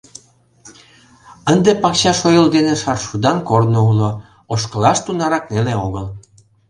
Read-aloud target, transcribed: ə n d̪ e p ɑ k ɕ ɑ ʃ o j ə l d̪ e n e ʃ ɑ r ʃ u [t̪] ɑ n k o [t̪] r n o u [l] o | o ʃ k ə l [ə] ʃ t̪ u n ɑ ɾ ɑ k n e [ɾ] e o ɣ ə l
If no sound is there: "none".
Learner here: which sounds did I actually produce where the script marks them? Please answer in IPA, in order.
d̪, none, l, ɑ, l

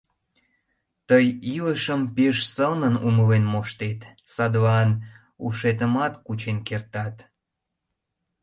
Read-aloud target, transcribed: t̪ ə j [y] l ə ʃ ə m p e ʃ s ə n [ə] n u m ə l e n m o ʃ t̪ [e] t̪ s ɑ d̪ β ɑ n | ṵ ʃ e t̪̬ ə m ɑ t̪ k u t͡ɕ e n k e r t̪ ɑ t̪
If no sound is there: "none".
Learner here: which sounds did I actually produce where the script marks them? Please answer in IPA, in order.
i, ə, e

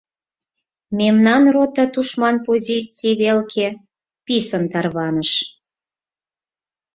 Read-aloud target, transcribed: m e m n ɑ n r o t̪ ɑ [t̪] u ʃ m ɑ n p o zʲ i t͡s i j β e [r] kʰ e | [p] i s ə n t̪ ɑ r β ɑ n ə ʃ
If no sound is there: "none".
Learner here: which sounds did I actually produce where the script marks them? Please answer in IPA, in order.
t̪, l, p

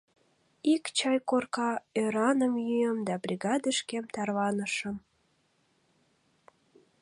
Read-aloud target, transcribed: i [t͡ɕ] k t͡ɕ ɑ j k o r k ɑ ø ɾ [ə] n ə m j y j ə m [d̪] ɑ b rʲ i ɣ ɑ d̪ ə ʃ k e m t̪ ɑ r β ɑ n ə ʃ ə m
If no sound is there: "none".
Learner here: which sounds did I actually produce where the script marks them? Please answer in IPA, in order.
none, ɑ, d̪

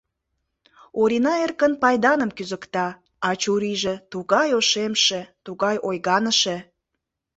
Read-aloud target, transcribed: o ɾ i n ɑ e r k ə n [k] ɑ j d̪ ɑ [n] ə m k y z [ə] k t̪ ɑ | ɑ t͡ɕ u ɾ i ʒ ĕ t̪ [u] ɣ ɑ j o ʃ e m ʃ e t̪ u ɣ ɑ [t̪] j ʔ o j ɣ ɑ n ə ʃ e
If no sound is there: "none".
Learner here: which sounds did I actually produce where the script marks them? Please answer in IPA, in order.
p, n, ə, u, none

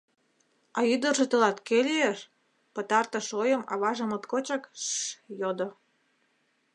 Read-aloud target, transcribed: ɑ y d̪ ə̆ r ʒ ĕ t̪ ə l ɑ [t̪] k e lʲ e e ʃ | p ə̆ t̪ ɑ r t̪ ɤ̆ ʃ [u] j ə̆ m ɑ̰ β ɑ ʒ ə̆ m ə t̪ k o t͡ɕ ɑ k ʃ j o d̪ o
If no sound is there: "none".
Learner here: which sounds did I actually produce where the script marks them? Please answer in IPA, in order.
t̪, o

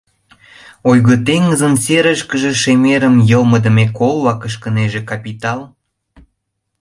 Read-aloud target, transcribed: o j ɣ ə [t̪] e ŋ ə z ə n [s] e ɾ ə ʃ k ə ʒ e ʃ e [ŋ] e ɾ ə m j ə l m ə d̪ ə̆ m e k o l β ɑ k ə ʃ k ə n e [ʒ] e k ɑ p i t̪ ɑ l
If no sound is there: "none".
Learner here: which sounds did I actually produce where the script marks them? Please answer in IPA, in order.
t̪, s, m, ʒ

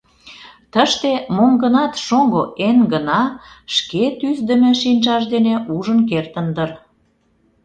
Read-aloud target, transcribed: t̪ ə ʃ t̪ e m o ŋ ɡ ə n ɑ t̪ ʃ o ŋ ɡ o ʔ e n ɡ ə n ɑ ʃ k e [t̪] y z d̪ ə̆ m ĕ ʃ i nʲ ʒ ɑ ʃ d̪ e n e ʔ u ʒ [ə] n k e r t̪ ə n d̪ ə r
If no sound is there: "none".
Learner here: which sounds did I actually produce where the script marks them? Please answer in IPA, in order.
t̪, ə

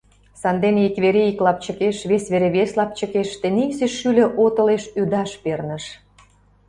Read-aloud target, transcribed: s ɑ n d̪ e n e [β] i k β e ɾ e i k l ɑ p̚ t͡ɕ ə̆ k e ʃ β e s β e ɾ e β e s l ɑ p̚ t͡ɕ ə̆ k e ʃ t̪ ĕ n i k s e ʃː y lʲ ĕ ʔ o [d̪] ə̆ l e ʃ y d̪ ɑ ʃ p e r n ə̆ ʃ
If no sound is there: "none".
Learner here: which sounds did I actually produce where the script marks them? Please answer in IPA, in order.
none, t̪

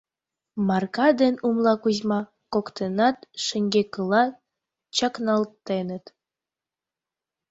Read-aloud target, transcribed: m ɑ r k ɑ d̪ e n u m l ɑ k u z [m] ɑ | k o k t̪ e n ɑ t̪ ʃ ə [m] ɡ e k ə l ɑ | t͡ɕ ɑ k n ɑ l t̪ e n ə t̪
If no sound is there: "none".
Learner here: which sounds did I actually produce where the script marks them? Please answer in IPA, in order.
m, ŋ

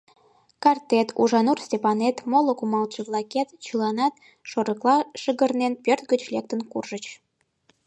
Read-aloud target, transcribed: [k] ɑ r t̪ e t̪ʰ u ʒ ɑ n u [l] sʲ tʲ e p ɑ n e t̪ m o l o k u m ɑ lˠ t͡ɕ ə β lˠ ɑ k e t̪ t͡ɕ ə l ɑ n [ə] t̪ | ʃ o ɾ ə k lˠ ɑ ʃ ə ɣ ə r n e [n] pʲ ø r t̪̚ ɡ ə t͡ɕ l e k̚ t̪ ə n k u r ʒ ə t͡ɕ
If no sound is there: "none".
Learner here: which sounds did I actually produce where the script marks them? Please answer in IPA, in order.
k, r, ɑ, n

